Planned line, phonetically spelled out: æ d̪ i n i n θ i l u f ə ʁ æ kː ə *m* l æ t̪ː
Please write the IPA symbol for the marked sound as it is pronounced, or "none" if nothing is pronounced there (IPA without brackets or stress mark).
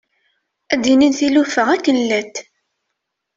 n